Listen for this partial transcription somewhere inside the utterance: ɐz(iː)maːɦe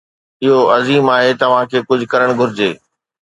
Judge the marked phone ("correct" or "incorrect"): correct